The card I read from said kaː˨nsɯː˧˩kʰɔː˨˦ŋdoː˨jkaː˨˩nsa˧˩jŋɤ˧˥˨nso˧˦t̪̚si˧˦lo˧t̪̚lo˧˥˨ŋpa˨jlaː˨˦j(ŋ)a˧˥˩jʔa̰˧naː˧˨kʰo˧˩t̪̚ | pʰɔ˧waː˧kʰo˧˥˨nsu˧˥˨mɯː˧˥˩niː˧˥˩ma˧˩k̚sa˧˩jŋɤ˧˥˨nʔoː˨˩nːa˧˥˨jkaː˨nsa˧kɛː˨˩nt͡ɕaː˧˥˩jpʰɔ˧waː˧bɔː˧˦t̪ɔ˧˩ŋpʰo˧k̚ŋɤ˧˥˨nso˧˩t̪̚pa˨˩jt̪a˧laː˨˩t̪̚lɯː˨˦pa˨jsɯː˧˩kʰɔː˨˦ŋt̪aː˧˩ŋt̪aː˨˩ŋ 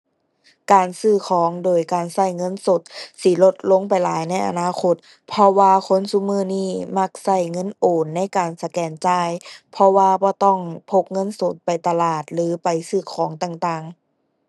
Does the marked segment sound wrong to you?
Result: yes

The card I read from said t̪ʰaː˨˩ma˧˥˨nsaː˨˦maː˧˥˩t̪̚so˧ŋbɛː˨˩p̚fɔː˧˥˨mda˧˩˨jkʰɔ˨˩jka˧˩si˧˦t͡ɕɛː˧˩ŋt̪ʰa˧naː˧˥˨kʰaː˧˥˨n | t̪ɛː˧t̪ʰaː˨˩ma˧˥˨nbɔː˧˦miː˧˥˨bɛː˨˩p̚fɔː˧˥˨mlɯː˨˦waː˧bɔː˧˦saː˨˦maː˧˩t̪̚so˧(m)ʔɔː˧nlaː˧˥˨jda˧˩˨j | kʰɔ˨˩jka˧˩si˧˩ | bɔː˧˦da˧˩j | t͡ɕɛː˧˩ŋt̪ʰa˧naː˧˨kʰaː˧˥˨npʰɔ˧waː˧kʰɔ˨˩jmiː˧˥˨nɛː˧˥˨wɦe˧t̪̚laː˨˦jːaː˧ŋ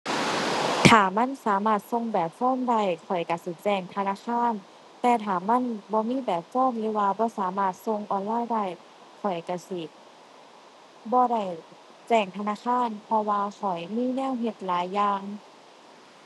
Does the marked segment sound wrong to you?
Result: yes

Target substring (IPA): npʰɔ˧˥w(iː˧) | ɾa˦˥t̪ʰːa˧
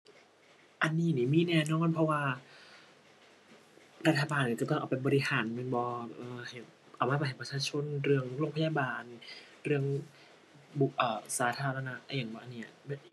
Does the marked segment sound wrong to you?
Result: yes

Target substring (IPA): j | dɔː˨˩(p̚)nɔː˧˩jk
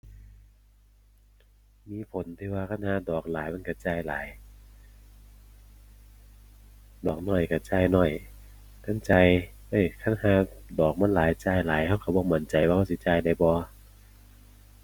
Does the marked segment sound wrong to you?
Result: yes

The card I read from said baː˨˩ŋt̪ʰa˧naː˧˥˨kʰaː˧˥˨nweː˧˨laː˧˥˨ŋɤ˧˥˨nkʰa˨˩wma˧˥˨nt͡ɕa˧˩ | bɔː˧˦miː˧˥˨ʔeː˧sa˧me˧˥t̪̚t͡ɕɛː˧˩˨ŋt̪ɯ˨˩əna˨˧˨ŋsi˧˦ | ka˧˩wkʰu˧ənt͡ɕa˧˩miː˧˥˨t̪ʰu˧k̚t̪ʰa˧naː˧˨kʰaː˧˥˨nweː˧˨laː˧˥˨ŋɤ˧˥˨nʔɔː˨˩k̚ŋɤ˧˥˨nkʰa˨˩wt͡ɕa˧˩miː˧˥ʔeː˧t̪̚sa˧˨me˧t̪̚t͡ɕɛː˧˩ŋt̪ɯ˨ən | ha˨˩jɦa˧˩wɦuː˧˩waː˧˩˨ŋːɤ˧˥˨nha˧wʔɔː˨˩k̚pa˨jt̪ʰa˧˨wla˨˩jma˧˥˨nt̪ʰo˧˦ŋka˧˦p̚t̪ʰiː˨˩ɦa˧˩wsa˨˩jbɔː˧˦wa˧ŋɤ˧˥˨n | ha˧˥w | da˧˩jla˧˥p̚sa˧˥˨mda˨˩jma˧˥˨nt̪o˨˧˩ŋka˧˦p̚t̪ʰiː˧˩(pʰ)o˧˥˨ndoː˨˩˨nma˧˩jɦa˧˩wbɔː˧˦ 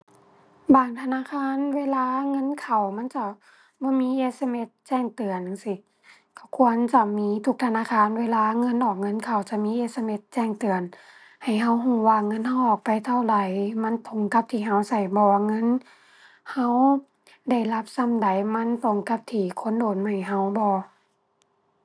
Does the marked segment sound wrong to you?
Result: yes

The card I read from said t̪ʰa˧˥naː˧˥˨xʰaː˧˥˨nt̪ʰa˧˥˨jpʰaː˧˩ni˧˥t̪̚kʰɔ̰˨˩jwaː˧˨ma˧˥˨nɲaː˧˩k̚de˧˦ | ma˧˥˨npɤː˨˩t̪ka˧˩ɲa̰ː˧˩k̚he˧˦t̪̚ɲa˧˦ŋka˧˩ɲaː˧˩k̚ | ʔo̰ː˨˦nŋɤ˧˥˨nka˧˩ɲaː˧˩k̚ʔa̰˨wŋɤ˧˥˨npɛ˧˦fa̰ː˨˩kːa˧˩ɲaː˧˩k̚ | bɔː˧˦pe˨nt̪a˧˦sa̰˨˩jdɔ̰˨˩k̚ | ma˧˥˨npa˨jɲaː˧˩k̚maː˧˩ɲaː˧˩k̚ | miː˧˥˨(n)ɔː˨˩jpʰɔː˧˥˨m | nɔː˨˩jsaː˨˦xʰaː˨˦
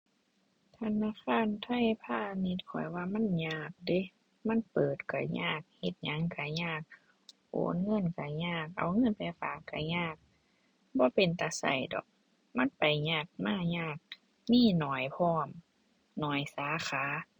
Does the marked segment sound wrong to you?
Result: no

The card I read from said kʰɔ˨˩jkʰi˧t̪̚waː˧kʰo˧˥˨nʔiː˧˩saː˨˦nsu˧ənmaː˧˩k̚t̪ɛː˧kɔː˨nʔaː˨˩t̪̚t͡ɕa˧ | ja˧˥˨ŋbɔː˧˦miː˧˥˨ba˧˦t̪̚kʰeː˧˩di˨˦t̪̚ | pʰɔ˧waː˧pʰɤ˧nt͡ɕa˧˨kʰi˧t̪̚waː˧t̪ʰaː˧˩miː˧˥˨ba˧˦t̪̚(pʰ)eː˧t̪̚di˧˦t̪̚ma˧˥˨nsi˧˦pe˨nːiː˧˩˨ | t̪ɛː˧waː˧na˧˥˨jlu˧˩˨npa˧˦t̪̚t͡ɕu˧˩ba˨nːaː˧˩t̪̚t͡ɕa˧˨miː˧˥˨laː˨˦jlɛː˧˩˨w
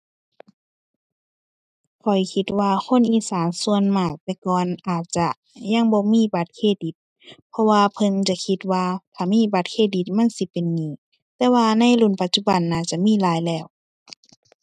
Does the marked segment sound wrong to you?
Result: yes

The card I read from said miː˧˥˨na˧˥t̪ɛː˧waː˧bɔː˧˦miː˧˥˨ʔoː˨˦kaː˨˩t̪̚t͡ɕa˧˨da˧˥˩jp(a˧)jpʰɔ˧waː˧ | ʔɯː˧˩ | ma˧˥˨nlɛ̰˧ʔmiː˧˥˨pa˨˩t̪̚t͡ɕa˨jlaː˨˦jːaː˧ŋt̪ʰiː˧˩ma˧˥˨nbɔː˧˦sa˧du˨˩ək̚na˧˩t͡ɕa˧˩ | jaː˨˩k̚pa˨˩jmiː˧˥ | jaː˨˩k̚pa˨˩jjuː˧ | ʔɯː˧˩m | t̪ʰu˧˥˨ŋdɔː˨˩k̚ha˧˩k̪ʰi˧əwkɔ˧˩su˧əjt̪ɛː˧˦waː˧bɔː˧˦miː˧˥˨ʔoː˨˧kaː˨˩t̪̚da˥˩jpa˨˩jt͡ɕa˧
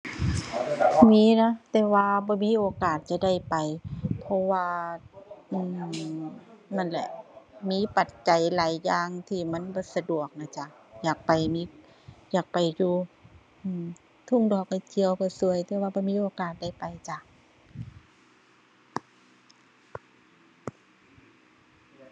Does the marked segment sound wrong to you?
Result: yes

